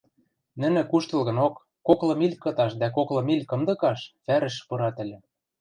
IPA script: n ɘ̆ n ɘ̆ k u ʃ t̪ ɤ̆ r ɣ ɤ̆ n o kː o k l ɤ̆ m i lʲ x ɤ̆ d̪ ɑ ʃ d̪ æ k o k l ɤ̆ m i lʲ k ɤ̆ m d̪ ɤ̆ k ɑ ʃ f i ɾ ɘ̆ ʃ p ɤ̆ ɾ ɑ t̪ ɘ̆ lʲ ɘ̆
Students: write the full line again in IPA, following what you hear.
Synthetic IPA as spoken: n ɘ̆ n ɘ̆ k u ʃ t̪ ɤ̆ l ɣ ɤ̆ n o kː o k l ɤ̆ m i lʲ k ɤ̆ t̪ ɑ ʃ d̪ æ k o k l ɤ̆ m i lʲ k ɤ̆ m d̪ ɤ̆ k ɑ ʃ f æ ɾ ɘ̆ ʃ p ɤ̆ ɾ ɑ t̪ ɘ̆ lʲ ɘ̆